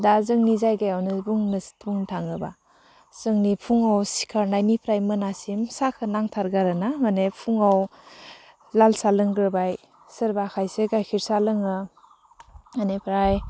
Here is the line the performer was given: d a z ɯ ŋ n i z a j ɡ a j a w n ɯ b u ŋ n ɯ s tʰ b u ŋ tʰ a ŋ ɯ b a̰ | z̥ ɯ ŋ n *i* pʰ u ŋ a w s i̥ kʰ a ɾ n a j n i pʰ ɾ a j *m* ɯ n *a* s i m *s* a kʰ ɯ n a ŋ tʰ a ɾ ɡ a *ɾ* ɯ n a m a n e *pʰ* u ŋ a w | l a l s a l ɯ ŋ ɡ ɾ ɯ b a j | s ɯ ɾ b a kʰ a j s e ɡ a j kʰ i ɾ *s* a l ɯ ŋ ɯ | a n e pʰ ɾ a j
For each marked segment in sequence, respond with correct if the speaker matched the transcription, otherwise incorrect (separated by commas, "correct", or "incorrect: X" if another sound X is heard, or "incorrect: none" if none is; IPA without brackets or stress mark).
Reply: correct, correct, correct, correct, correct, correct, correct